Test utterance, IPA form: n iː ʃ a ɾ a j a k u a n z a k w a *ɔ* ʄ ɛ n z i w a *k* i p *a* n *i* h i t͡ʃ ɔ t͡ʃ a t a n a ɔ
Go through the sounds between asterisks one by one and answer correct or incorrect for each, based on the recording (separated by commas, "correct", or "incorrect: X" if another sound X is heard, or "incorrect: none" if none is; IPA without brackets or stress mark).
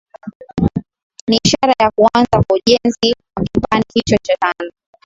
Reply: incorrect: u, correct, correct, correct